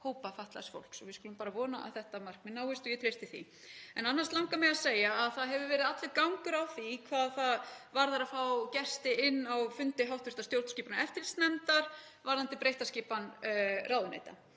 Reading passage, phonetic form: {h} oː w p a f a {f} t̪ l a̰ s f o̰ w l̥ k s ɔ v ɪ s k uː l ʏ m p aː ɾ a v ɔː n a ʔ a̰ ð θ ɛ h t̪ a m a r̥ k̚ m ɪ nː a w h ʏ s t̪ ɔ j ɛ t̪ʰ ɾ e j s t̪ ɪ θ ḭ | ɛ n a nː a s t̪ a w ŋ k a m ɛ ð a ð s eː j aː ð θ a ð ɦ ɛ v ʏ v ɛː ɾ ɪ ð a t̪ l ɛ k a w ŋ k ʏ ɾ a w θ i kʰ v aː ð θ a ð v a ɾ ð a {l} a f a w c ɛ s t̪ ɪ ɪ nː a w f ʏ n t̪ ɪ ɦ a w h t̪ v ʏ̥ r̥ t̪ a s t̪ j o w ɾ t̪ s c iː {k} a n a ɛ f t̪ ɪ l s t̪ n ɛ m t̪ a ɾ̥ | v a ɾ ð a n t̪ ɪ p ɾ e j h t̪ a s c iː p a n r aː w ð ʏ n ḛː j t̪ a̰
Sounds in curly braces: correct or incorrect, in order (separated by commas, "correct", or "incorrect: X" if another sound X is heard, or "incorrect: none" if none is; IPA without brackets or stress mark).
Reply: correct, incorrect: h, incorrect: ɾ, incorrect: p